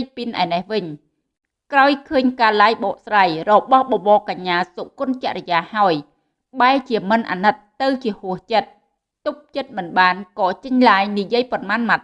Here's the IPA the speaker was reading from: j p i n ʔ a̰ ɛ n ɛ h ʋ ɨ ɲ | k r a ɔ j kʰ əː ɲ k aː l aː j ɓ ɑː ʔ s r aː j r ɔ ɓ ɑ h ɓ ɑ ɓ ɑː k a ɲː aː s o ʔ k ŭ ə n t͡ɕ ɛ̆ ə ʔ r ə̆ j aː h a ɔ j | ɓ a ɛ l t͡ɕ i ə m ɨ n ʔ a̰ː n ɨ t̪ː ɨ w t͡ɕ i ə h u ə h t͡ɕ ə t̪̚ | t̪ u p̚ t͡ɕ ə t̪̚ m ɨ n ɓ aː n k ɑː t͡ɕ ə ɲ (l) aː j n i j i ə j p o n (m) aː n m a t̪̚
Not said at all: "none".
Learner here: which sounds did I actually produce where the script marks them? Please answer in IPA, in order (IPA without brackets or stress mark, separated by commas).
l, m